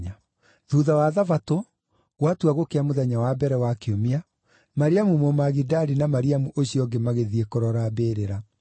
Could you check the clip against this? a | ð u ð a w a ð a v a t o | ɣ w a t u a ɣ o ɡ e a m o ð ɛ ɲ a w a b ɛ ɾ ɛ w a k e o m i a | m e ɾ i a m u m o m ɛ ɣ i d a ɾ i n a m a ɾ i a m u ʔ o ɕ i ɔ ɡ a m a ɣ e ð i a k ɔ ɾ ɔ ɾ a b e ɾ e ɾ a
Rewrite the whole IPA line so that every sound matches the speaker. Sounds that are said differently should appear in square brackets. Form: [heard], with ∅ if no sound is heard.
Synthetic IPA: a | ð u ð a w a ð a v a t o | ɣ w a t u a ɣ o [k] e a m o ð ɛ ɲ a w a b ɛ ɾ ɛ w a k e o m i a | m [a] ɾ i a m u m o m [a] ɣ i d a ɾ i n a m a ɾ i a m u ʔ o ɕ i ɔ ɡ [e] m a ɣ e ð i [e] k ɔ ɾ ɔ ɾ a b e ɾ e ɾ a